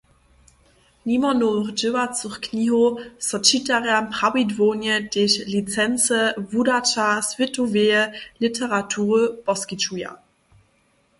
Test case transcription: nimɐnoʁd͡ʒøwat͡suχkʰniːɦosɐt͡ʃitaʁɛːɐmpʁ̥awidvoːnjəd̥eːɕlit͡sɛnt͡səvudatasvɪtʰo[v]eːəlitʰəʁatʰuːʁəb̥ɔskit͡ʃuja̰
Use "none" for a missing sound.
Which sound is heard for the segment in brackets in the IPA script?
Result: v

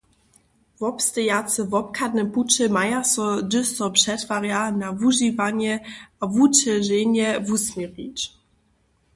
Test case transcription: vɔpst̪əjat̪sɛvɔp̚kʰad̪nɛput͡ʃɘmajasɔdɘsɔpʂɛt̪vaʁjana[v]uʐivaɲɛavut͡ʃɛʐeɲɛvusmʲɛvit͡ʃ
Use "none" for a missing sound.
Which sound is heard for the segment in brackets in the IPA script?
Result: v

